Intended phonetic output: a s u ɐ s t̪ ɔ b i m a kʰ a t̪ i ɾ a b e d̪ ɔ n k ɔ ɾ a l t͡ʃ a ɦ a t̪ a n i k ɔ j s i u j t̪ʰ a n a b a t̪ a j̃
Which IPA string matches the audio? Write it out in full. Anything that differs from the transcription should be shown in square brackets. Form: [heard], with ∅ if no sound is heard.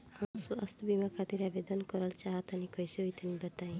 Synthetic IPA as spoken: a s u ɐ s t̪ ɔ b i m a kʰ a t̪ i ɾ a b e d̪ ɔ n k ɔ ɾ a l t͡ʃ a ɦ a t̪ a n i k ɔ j s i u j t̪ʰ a n [i] b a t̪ a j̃